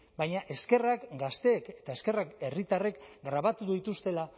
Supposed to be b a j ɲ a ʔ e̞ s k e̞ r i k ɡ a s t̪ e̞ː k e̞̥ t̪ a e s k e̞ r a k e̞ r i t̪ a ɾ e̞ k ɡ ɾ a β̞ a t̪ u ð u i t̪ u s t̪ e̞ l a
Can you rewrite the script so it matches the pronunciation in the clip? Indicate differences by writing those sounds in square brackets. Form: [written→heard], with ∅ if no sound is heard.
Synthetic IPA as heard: b a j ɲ a ʔ e̞ s k e̞ r [i→a] k ɡ a s t̪ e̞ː k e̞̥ t̪ a e s k e̞ r a k e̞ r i t̪ a [ɾ→r] e̞ k ɡ ɾ a β̞ a t̪ u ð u i t̪ u s t̪ e̞ l a